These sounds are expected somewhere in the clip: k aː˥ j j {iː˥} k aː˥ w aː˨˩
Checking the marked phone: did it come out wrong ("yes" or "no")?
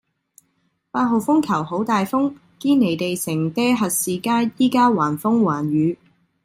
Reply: no